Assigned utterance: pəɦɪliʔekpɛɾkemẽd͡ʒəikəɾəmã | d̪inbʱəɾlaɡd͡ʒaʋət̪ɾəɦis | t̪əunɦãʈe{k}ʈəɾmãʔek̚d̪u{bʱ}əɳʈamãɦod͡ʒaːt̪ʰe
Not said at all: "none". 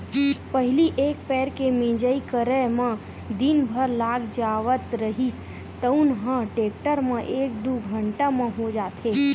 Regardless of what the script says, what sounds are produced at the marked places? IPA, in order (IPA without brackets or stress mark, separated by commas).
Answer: k, ɡʱ